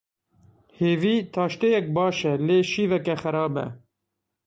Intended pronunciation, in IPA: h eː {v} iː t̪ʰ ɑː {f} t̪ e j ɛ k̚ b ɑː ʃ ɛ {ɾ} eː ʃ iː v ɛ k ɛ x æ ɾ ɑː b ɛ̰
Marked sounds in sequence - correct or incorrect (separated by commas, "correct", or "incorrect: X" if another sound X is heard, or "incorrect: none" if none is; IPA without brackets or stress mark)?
correct, incorrect: ʃ, incorrect: l